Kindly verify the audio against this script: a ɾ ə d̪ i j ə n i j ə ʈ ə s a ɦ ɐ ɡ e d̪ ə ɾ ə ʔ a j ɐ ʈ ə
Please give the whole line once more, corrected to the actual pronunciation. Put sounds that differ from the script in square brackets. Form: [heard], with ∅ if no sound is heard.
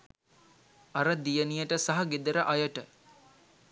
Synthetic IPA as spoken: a ɾ ə d̪ i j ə n i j ə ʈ ə s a ɦ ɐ ɡ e d̪ ə ɾ ə ʔ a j [ə] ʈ ə